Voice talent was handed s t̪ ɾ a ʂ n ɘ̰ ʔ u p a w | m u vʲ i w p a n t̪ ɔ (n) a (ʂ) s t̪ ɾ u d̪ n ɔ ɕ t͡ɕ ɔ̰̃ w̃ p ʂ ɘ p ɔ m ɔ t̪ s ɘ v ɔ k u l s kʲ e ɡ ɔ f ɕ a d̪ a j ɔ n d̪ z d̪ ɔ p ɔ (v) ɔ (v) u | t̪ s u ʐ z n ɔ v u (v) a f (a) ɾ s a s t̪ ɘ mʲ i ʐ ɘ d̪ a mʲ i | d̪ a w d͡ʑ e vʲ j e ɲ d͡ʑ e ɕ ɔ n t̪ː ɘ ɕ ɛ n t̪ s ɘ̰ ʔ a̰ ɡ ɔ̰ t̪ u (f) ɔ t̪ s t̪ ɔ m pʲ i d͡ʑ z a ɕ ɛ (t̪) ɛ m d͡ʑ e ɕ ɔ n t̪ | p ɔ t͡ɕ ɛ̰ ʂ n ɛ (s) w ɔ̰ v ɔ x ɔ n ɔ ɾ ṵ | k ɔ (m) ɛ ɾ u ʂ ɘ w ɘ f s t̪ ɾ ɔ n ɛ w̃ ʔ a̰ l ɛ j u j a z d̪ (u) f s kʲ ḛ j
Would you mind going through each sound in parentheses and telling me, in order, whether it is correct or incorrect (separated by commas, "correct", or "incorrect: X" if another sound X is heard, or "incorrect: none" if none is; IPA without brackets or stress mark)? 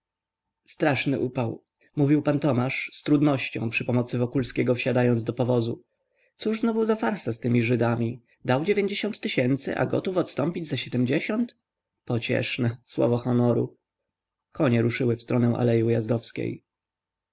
incorrect: m, correct, correct, incorrect: z, incorrect: z, correct, correct, incorrect: d̪, correct, incorrect: ɲ, incorrect: ɔ